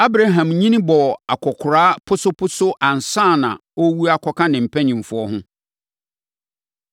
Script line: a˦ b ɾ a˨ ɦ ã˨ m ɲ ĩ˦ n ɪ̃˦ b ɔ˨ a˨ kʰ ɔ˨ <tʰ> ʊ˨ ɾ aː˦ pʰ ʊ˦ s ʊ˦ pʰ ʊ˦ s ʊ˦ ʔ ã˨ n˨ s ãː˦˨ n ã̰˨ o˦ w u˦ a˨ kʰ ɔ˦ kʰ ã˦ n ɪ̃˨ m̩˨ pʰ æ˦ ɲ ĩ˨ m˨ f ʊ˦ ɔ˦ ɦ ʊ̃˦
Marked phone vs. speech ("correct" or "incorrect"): incorrect